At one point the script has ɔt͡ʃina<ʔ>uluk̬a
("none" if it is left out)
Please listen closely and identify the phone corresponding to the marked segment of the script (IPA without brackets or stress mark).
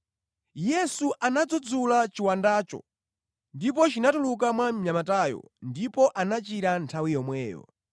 t